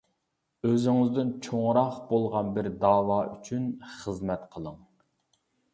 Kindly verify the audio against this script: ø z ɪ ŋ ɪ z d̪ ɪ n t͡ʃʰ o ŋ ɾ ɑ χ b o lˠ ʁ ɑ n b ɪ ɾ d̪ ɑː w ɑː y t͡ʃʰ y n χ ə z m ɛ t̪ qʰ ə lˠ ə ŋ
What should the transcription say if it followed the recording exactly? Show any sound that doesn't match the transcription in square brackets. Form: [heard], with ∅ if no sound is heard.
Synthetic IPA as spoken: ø z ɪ ŋ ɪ z d̪ ɪ n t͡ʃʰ o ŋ ɾ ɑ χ b o lˠ ʁ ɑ n b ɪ ɾ d̪ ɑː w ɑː y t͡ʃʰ y n χ ə z m ɛ t̪ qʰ ə lˠ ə ŋ